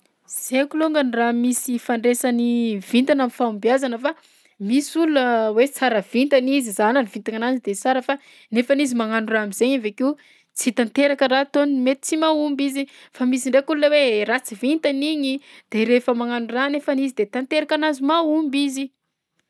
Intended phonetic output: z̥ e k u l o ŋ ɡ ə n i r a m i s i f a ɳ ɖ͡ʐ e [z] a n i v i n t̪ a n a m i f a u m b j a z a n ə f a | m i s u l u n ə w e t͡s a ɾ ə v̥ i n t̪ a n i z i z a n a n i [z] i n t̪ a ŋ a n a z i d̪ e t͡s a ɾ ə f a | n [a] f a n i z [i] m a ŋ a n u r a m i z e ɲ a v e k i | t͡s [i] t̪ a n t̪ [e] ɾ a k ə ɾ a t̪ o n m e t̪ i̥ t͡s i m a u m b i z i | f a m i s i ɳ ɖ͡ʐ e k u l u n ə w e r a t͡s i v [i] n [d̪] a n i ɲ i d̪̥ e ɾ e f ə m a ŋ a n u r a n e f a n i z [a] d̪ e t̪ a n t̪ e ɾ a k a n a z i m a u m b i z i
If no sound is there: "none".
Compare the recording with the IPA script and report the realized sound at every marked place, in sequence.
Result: s, v, e, i, i, e, i, t̪, i

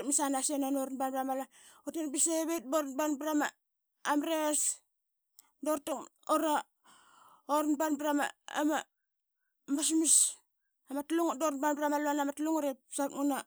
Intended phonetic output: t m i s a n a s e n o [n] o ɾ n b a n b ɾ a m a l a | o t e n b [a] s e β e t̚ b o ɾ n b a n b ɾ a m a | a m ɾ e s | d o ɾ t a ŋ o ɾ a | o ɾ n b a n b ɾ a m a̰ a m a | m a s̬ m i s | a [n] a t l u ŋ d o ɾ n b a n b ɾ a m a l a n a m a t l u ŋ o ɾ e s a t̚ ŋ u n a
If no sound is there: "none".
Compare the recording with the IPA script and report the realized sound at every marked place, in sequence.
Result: n, i, m

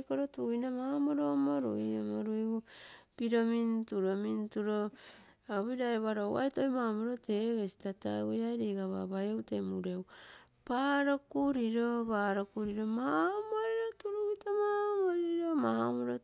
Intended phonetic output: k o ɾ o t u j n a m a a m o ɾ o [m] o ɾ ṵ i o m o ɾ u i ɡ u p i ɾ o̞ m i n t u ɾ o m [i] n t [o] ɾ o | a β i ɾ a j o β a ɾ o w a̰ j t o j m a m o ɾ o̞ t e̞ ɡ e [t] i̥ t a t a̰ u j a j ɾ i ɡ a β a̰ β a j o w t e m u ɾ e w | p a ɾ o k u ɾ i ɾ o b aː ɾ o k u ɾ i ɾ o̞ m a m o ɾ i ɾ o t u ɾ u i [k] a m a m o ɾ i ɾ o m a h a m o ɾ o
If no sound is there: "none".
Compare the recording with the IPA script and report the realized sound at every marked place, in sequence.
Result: m, i, u, s, t

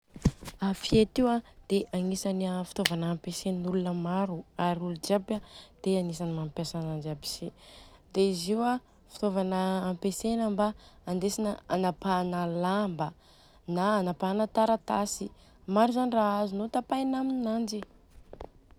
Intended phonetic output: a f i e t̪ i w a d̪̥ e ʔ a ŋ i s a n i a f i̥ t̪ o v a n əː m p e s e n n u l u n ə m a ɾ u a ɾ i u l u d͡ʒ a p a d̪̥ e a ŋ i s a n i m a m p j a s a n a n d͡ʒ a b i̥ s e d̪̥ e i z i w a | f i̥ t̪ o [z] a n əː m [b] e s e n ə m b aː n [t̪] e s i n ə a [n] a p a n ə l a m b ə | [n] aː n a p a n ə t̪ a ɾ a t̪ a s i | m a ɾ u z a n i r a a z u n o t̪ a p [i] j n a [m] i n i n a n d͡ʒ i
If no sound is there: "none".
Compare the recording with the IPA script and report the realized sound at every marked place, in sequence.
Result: v, p, d̪, n, n, a, m

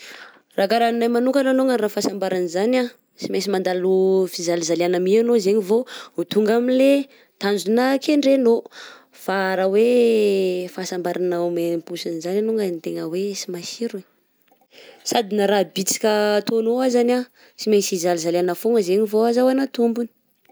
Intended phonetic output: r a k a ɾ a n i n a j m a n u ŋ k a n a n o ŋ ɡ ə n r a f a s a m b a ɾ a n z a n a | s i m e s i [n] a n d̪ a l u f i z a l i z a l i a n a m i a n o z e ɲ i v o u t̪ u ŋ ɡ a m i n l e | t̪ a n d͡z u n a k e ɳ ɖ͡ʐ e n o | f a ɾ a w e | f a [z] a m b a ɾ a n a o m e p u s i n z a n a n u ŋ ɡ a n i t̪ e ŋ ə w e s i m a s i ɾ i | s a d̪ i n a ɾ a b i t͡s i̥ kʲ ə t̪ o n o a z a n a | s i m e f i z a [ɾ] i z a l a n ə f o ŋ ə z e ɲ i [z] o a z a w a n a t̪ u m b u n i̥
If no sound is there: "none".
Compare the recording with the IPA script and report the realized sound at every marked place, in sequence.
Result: m, s, l, v

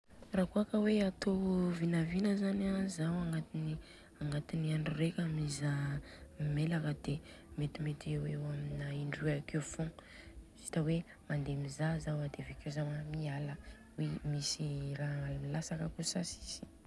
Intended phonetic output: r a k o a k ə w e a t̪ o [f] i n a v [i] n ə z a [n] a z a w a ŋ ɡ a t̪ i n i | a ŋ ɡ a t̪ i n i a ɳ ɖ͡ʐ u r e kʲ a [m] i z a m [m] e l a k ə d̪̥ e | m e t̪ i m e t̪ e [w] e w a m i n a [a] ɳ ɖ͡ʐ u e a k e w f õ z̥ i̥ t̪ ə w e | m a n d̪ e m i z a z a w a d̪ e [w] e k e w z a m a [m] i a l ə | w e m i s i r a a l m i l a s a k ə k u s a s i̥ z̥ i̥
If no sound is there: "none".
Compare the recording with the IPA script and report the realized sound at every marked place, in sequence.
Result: v, i, n, m, m, w, i, v, m

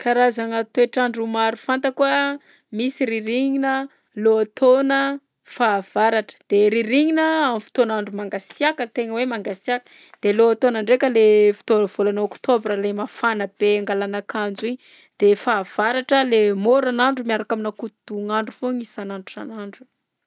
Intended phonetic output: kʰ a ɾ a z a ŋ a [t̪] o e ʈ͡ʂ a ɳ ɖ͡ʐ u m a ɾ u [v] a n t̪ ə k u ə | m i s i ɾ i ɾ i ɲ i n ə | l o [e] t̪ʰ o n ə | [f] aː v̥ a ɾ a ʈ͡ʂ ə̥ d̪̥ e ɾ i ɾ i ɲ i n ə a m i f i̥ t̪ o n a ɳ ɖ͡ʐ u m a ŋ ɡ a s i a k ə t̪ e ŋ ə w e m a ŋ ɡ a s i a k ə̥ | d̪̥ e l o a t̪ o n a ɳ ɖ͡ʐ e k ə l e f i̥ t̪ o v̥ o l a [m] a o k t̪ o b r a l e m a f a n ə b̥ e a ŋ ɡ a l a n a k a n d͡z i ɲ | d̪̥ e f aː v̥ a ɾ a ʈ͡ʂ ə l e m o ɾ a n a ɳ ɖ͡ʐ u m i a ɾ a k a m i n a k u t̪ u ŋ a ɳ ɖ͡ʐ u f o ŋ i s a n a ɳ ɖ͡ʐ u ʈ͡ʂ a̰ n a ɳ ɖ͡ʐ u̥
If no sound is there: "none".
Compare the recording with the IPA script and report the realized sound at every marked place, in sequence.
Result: t̪, f, a, f, n

